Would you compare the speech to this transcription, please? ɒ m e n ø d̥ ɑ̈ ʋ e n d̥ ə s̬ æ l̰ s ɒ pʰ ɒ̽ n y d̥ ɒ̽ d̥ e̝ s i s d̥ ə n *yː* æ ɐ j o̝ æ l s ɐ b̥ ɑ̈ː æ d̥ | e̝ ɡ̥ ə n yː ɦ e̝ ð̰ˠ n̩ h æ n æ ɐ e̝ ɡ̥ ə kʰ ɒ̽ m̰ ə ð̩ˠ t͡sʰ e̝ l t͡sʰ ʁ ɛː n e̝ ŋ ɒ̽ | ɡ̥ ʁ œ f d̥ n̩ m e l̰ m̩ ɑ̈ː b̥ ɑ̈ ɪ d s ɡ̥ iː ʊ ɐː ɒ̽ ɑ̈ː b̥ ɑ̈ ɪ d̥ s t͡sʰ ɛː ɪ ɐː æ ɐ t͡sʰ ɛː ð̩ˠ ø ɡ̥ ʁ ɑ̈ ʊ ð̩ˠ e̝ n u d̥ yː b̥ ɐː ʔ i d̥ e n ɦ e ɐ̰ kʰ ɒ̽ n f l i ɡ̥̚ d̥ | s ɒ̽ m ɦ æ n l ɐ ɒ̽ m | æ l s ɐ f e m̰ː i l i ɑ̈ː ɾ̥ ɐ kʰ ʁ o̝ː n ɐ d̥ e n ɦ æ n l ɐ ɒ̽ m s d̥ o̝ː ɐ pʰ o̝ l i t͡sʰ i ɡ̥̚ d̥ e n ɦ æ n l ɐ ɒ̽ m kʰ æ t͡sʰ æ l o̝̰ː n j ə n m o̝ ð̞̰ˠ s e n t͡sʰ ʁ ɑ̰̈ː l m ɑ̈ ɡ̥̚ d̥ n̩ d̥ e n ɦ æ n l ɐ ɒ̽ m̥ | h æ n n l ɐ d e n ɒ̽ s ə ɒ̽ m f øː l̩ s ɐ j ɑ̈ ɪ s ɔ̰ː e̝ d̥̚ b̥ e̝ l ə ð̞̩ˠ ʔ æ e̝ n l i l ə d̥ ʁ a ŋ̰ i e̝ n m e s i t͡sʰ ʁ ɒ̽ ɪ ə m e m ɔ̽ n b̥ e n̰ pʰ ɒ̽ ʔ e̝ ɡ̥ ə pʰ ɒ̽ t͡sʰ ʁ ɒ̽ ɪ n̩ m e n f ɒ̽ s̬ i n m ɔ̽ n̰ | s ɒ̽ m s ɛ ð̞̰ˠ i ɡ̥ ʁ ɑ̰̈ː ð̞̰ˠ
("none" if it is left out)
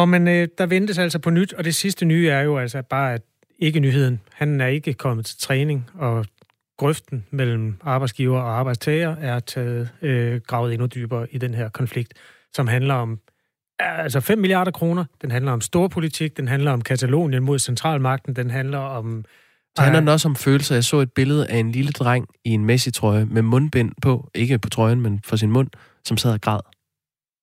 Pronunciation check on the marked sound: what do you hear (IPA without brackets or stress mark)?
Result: yː